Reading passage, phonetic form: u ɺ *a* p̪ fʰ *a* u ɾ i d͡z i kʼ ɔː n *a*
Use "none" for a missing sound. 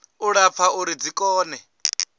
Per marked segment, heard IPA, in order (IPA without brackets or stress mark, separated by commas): a, a, ɛ